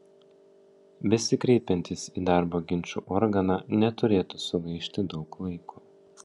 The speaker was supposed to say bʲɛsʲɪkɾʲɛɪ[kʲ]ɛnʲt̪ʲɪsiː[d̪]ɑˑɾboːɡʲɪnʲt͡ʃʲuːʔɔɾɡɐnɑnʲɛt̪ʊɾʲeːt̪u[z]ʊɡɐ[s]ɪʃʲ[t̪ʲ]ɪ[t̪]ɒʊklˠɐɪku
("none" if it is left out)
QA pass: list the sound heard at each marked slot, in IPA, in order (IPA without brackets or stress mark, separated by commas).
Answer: pʲ, d̪, s, none, t̪ʲ, d̪